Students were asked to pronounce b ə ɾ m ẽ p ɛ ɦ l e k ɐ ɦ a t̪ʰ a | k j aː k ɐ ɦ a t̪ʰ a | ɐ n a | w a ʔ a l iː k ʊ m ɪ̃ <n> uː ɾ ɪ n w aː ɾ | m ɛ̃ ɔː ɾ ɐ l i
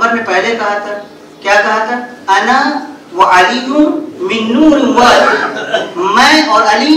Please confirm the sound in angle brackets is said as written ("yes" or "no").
no